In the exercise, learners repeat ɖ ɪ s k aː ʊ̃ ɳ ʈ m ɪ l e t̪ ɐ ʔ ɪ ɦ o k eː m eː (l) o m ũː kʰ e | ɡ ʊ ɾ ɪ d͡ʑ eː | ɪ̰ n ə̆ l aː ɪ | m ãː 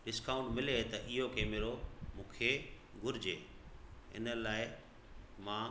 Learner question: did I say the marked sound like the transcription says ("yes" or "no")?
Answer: no